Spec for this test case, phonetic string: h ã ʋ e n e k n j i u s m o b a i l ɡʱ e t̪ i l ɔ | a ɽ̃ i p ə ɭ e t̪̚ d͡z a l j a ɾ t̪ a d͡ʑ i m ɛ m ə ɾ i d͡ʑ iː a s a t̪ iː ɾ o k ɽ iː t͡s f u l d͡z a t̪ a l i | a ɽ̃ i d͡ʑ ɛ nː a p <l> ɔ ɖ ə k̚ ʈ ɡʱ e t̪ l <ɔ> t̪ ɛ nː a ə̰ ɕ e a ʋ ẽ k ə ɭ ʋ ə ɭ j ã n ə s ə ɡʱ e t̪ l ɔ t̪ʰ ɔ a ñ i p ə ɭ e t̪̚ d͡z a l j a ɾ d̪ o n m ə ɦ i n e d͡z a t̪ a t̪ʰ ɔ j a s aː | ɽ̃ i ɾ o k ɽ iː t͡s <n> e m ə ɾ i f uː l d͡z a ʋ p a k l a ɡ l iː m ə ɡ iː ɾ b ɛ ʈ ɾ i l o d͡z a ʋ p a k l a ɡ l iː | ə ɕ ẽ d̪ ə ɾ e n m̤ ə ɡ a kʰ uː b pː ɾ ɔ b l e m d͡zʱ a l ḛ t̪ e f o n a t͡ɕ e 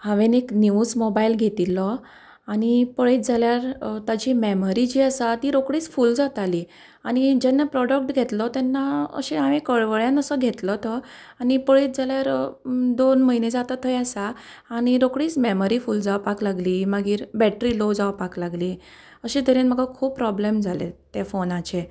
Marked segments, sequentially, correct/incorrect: incorrect: ɾ, correct, incorrect: m

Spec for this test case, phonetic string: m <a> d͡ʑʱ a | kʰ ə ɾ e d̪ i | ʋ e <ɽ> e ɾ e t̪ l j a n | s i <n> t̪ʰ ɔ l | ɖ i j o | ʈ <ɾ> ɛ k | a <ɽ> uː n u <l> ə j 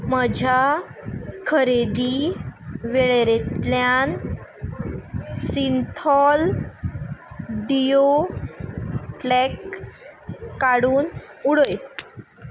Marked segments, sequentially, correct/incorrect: incorrect: ə, incorrect: ɭ, correct, incorrect: l, correct, incorrect: ɽ

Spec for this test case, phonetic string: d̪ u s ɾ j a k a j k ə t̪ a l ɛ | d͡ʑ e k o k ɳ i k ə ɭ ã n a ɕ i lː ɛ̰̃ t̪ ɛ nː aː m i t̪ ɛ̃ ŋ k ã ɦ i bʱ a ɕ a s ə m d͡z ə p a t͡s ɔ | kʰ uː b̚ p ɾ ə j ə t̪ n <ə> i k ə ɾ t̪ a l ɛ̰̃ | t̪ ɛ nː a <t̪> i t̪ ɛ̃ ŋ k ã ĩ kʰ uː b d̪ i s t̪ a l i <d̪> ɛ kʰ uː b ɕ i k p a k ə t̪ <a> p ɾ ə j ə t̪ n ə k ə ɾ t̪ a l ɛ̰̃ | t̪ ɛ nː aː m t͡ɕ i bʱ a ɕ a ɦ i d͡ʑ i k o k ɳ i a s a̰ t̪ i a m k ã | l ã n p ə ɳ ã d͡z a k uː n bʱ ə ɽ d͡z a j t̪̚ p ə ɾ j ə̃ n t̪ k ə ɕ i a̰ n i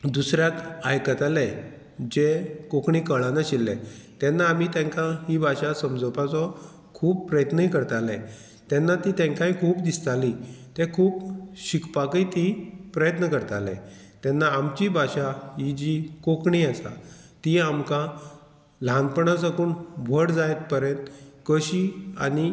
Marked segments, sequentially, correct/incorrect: correct, correct, incorrect: t̪, incorrect: i

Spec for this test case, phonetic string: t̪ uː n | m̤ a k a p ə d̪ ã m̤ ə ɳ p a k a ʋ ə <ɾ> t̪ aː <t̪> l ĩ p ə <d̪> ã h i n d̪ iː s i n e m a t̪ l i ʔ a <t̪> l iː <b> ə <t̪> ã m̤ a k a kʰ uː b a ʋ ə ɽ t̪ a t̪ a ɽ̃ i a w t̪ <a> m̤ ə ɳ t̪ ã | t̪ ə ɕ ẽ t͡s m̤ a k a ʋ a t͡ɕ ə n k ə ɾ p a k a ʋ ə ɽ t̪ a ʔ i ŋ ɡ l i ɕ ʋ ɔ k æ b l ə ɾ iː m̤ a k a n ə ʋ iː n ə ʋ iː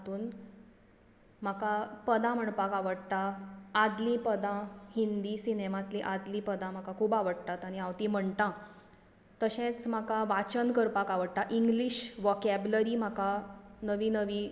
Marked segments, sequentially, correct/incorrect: incorrect: ɽ, incorrect: d̪, correct, incorrect: d̪, incorrect: p, incorrect: d̪, incorrect: i

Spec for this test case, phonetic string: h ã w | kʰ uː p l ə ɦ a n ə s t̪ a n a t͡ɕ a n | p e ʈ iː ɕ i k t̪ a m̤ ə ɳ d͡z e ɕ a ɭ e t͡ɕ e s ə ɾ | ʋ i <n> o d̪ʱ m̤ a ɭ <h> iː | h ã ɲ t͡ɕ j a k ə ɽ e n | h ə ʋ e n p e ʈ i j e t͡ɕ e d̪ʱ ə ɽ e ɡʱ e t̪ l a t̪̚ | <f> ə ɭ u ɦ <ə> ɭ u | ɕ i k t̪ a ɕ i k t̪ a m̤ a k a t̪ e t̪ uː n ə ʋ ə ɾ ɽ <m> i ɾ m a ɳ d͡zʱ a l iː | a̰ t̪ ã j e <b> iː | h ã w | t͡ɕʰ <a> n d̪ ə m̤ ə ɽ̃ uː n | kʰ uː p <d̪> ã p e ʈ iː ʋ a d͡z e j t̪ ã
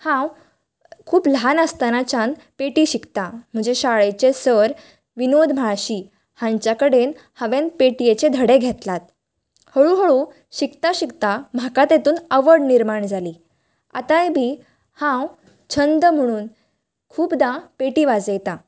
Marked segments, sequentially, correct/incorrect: correct, incorrect: ɕ, incorrect: h, correct, incorrect: n, correct, incorrect: ə, correct

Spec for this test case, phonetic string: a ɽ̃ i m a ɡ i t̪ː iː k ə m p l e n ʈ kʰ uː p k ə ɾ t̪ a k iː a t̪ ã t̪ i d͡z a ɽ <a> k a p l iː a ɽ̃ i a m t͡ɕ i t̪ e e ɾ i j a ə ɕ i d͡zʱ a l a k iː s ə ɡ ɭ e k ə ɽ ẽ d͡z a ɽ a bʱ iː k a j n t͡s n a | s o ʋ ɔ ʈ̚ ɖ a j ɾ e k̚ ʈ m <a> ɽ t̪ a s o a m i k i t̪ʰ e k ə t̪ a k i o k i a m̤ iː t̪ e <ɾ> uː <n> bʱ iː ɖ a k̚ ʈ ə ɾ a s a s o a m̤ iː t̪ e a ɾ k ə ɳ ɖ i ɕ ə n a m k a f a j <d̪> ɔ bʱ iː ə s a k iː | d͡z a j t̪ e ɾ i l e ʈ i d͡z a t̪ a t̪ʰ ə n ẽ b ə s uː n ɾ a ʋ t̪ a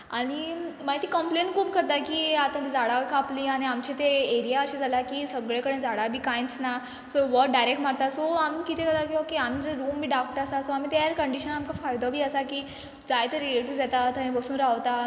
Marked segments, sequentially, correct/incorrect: correct, correct, correct, incorrect: m, correct

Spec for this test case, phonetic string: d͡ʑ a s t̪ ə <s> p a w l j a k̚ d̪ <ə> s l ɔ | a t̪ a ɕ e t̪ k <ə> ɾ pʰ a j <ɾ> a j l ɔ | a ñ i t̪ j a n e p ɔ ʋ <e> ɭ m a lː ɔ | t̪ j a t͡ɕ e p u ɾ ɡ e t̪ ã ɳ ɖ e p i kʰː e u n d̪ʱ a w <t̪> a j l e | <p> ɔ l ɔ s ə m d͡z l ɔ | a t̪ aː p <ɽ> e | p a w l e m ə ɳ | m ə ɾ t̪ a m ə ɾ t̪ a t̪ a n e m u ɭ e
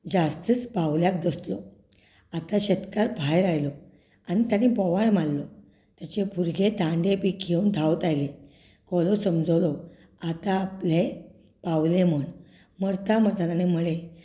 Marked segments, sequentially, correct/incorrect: incorrect: t͡s, correct, incorrect: a, correct, incorrect: a, correct, incorrect: k, incorrect: l

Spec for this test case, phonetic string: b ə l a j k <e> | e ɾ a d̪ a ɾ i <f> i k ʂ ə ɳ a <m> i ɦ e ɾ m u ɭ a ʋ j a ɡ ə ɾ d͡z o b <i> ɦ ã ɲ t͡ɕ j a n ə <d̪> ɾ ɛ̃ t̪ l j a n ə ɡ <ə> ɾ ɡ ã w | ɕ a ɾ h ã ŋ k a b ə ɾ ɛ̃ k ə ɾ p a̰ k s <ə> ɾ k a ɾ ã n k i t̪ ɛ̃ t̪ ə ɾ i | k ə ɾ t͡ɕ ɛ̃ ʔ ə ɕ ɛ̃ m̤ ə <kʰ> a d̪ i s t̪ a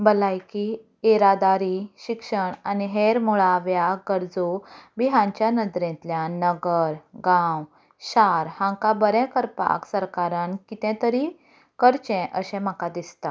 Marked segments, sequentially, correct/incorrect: incorrect: i, incorrect: ɕ, incorrect: n, correct, correct, correct, correct, incorrect: k

